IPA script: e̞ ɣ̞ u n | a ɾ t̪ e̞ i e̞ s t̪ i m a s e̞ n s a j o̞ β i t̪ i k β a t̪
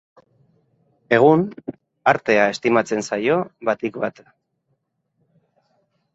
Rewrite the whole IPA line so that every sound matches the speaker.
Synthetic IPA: e̞ ɣ̞ u n | a ɾ t̪ e̞ a e̞ s t̪ i m a t͡s e̞ n s a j o̞ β a t̪ i k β a t̪